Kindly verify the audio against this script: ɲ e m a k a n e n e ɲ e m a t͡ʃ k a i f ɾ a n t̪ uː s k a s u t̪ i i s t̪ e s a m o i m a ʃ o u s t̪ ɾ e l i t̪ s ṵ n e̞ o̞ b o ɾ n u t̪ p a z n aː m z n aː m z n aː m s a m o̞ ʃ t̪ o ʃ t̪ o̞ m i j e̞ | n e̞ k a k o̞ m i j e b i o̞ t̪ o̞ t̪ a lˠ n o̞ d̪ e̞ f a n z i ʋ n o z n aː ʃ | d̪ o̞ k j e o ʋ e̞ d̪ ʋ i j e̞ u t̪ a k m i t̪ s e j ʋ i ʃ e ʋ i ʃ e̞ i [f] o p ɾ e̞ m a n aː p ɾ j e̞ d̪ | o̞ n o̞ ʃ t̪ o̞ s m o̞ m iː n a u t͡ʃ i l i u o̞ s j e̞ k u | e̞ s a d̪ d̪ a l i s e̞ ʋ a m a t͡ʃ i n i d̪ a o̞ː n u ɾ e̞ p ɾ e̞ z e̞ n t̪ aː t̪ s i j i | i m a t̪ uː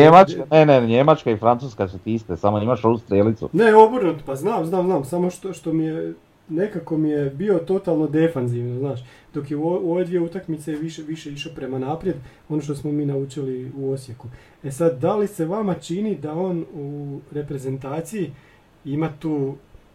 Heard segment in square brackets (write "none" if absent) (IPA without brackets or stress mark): ʃ